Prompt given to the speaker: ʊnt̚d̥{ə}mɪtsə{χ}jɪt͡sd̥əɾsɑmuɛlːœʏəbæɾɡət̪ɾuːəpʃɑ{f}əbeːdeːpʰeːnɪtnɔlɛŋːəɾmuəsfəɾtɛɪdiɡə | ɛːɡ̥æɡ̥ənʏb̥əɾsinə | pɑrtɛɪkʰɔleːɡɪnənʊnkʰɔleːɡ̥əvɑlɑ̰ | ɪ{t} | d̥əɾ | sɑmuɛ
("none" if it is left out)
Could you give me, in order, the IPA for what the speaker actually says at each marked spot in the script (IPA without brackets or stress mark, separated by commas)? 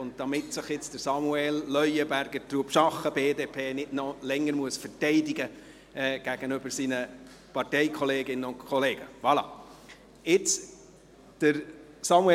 ɑ, χ, χ, t͡s